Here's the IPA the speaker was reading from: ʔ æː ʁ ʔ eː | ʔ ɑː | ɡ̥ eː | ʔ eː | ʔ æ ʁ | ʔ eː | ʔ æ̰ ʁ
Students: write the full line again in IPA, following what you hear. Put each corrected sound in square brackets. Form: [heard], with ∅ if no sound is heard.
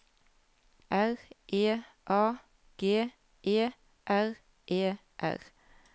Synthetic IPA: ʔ [æ] ʁ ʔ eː | ʔ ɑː | ɡ̥ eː | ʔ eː | ʔ æ ʁ | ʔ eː | ʔ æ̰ ʁ